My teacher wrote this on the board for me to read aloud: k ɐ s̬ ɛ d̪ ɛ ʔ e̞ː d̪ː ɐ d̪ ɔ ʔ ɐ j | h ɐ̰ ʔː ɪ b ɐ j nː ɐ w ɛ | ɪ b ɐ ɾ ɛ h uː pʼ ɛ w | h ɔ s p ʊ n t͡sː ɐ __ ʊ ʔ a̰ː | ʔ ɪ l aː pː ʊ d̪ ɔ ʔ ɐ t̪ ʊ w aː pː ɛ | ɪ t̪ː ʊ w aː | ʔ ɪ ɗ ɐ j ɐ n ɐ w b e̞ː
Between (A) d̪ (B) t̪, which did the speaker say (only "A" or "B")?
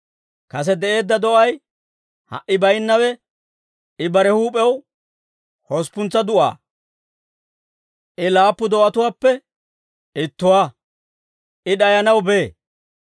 A